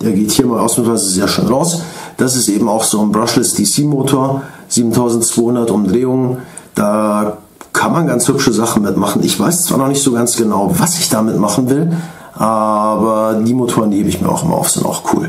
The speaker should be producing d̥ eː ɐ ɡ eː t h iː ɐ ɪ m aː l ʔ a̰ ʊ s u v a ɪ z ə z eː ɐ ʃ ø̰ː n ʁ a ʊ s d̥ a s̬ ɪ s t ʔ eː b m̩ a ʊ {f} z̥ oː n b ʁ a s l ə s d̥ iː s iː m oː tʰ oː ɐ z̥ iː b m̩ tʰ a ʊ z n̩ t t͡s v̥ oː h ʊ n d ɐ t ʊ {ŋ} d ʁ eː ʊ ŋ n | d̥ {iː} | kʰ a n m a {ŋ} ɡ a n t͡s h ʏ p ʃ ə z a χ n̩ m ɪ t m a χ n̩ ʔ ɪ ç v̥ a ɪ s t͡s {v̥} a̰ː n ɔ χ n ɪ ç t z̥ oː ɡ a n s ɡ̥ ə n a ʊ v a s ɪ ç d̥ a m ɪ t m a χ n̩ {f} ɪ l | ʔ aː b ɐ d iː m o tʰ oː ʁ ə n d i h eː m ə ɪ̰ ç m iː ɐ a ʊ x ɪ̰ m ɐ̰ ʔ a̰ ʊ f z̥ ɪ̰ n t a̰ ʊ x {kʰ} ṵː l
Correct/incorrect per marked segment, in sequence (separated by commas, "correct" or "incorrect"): incorrect, incorrect, incorrect, incorrect, correct, incorrect, correct